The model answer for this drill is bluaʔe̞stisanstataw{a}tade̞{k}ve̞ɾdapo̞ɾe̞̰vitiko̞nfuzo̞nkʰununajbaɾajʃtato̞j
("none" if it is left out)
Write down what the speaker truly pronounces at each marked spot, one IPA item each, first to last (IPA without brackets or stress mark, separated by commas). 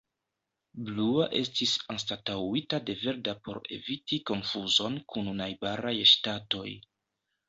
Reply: i, none